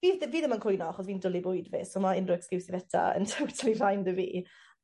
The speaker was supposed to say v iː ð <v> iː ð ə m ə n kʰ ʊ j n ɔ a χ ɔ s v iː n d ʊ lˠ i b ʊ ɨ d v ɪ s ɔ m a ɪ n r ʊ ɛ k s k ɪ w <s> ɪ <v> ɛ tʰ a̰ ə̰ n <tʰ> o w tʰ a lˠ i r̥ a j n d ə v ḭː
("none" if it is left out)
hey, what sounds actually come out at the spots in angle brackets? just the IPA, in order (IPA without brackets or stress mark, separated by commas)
v, s, v, tʰ